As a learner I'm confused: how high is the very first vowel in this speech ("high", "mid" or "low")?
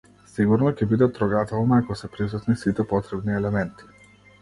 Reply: high